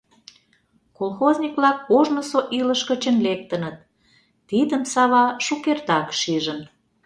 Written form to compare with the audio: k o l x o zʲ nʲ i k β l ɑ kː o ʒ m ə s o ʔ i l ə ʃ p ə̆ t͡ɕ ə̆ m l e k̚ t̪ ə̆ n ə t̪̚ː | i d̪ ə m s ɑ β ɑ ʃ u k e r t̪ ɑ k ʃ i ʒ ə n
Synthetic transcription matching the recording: k o l x o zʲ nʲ i k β l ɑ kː o ʒ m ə s o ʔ i l ə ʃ k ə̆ t͡ɕ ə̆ n l e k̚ t̪ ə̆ n ə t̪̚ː | i d̪ ə m s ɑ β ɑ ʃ u k e r t̪ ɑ k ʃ i ʒ ə n